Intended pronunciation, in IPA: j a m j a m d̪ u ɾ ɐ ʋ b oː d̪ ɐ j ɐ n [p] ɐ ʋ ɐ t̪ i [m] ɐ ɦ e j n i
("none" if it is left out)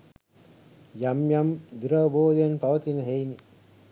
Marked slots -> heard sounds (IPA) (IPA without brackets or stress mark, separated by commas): p, n